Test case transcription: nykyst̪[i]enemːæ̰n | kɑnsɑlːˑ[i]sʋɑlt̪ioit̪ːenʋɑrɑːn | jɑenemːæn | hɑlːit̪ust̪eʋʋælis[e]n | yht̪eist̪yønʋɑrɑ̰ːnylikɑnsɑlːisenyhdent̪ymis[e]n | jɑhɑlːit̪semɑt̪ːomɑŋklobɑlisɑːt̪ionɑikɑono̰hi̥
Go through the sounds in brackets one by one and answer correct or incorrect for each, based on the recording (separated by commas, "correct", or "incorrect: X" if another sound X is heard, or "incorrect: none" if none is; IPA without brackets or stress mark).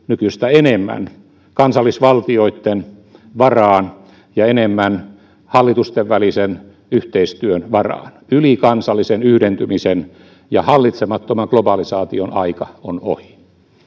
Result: incorrect: æ, correct, correct, correct